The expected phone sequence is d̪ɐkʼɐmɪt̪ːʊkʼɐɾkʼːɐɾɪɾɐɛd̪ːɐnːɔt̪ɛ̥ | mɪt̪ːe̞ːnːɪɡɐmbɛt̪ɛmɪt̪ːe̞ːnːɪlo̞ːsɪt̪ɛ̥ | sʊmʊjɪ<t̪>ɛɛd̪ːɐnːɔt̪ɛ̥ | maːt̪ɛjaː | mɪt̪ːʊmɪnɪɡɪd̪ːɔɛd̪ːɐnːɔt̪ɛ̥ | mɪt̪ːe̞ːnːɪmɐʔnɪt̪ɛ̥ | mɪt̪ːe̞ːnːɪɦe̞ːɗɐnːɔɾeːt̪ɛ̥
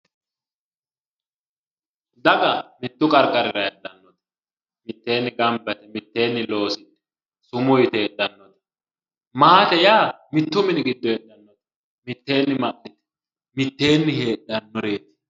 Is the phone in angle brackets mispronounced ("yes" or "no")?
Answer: no